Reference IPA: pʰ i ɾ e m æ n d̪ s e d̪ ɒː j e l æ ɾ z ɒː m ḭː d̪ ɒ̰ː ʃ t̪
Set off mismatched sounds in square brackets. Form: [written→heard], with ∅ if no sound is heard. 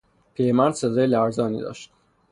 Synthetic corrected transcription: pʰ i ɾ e m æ n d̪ s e d̪ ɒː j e l æ ɾ z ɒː [m→n] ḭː d̪ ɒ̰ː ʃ t̪